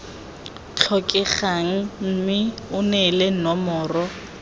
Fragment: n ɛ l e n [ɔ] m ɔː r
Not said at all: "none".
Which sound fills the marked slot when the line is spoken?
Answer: ɔ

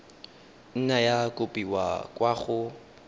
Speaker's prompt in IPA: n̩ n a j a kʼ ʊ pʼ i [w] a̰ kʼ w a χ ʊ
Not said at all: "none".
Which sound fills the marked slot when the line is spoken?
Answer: w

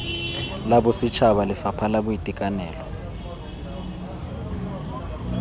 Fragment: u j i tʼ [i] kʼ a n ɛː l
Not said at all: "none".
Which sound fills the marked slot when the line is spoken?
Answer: i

